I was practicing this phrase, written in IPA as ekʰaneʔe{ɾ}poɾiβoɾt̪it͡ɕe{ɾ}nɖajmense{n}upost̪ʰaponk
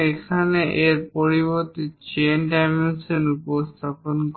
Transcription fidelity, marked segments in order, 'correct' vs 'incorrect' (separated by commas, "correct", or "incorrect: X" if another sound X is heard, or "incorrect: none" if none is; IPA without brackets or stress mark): correct, incorrect: none, correct